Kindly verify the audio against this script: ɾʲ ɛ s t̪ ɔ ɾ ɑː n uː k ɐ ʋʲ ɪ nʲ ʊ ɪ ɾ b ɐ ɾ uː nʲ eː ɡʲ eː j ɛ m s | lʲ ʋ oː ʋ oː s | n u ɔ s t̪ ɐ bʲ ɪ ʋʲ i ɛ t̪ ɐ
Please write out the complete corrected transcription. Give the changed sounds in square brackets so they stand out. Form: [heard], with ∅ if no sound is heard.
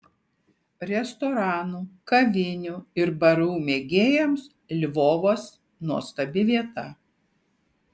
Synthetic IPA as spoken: ɾʲ ɛ s t̪ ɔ ɾ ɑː n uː k ɐ ʋʲ ɪ nʲ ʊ ɪ ɾ b ɐ ɾ uː [mʲ] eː ɡʲ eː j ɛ m s | lʲ ʋ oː ʋ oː s | n u ɔ s t̪ ɐ bʲ ɪ ʋʲ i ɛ t̪ ɐ